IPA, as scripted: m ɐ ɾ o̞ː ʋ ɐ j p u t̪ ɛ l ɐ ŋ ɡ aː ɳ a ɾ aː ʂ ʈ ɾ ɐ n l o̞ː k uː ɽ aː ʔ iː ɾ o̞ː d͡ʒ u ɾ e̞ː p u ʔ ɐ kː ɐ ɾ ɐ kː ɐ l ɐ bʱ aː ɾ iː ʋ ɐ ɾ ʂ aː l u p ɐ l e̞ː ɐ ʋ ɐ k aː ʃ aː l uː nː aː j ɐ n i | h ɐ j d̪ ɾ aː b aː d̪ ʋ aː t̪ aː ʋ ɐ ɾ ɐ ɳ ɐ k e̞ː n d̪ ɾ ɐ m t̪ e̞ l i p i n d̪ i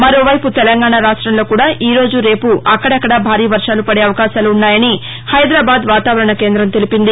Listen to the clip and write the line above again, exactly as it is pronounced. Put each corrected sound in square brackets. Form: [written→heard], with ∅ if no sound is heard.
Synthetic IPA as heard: m ɐ ɾ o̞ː ʋ ɐ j p u t̪ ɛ l ɐ ŋ ɡ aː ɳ a ɾ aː ʂ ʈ ɾ ɐ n l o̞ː k uː ɽ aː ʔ iː ɾ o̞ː d͡ʒ u ɾ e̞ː p u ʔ ɐ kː ɐ [ɾ→ɽ] ɐ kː ɐ [l→ɽ] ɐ bʱ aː ɾ iː ʋ ɐ ɾ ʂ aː l u p ɐ [l→ɽ] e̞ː ɐ ʋ ɐ k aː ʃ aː l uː nː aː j ɐ n i | h ɐ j d̪ ɾ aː b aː d̪ ʋ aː t̪ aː ʋ ɐ ɾ ɐ ɳ ɐ k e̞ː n d̪ ɾ ɐ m t̪ e̞ l i p i n d̪ i

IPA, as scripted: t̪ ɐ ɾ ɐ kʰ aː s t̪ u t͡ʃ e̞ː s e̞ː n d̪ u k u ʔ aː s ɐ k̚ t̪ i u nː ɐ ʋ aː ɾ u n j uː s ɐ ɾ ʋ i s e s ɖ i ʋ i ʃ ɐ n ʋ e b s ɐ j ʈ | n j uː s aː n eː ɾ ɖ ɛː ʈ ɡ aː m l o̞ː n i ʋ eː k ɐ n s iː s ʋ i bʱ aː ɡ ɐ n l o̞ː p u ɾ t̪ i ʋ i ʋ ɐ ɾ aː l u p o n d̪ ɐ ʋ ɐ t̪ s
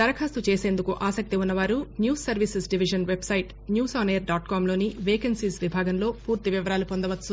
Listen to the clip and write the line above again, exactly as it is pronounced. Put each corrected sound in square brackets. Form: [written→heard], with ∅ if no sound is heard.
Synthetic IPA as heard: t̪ ɐ ɾ ɐ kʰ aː s t̪ u t͡ʃ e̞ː s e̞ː n d̪ u k u ʔ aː s ɐ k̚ t̪ i u nː ɐ ʋ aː ɾ u n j uː s ɐ ɾ ʋ i s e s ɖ i ʋ i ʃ ɐ n ʋ e b s ɐ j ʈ | n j uː s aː n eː ɾ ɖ [ɛː→aː] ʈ [ɡ→k] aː m l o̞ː n i ʋ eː k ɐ n s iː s ʋ i bʱ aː ɡ ɐ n l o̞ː p [u→uː] ɾ t̪ i ʋ i ʋ ɐ ɾ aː l u p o n d̪ ɐ ʋ ɐ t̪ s

